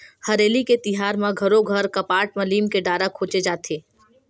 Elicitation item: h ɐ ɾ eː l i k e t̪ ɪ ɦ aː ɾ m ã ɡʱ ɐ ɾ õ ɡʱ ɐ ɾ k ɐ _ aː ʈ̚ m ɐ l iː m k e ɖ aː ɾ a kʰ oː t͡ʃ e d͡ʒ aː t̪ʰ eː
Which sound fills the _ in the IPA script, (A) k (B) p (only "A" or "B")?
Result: B